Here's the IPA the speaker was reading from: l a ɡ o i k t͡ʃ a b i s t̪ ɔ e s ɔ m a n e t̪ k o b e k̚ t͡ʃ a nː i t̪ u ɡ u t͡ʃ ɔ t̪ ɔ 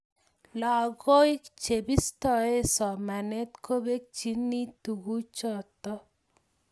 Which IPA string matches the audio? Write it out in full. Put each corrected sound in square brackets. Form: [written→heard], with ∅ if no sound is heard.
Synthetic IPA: l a ɡ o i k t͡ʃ [a→e] b i s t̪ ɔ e s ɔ m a n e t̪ k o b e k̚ t͡ʃ [a→i] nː i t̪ u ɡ u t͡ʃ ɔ t̪ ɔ

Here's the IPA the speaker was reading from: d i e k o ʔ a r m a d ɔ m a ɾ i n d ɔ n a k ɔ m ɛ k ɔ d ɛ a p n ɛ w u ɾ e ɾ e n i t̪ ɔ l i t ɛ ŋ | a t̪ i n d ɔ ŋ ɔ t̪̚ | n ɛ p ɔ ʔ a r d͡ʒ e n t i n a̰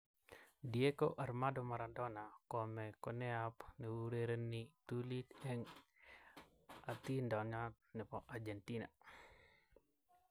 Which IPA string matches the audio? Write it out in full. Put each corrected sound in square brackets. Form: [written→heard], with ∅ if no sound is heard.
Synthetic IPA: d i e k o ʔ a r m a d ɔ m a ɾ [i→a] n d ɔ n a k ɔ m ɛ k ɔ [d→n] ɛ a p n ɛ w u ɾ e ɾ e n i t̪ [ɔ→u] l i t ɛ ŋ | a t̪ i n d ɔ [ŋ→ɲ] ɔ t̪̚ | n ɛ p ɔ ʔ a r d͡ʒ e n t i n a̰

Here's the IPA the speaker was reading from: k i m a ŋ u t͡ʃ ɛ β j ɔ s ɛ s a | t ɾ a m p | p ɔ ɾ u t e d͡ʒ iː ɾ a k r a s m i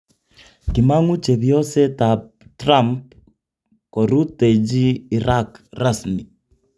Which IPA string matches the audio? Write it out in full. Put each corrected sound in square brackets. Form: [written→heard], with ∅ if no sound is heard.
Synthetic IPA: k i m a ŋ u t͡ʃ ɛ β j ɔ s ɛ [s→t] a | t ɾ a m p | [p→k] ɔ ɾ u t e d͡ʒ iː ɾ a k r a s m i

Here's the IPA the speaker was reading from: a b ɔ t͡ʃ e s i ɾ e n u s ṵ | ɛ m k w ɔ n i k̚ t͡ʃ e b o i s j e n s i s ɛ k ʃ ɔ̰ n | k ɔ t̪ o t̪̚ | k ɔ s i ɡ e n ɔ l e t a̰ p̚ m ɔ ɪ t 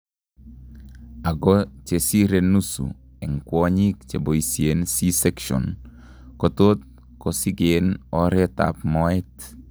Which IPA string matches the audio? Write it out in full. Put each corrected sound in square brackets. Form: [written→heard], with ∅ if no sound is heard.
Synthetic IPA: a [b→ɡ] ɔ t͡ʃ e s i ɾ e n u s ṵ | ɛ [m→ŋ] k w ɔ [n→ɲ] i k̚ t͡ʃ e b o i s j e n s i s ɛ k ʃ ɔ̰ n | k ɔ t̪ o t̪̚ | k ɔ s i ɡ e n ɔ [l→ɾ] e t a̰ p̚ m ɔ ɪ t

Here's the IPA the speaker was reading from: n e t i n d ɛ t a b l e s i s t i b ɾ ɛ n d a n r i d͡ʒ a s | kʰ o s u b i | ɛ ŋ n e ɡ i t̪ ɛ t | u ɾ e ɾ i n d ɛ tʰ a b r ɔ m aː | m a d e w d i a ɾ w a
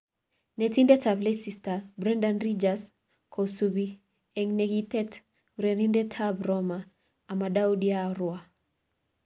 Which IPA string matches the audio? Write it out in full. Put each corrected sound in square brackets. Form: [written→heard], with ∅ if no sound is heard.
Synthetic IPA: n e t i n d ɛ t a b l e s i s t [i→a] b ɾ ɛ n d a n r i d͡ʒ a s | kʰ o s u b i | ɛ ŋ n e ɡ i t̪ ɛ t | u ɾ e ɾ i n d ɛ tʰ a b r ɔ m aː | m a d [e→a] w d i a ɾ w a

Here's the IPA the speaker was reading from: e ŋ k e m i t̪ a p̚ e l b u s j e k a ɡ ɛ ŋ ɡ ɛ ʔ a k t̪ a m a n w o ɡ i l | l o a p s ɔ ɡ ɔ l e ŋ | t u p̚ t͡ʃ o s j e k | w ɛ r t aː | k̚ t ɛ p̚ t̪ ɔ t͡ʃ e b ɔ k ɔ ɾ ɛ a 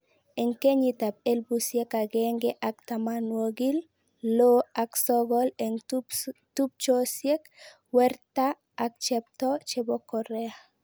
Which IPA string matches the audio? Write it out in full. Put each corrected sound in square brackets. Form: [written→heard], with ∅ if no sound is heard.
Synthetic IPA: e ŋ k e [m→ɲ] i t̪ a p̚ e l b u s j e k a ɡ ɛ ŋ ɡ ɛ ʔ a k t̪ a m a n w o ɡ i l | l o a [p→k] s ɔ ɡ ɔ l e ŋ | t u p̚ t͡ʃ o s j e k | w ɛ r t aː | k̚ [t→t͡ʃ] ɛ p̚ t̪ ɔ t͡ʃ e b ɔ k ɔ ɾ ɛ a

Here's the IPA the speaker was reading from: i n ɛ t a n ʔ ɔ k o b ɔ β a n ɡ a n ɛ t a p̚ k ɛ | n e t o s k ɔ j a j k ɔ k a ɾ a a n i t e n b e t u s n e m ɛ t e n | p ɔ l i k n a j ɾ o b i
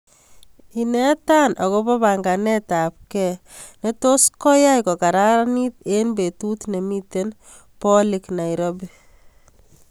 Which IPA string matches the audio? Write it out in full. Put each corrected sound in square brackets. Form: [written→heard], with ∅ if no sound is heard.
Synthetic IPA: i n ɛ t a n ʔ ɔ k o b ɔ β a [n→ŋ] ɡ a n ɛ t a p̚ k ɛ | n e t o s k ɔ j a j k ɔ k a ɾ a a n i t e n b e t u [s→t] n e m [ɛ→i] t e n | p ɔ l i k n a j ɾ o b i

